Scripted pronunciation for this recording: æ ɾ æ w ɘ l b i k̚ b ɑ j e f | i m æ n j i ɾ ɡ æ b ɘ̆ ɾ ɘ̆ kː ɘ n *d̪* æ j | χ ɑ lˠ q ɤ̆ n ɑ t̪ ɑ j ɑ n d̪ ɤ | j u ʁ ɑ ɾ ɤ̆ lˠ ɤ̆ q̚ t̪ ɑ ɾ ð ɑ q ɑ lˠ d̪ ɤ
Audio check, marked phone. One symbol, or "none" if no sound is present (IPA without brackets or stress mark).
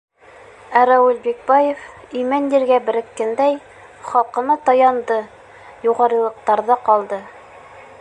d̪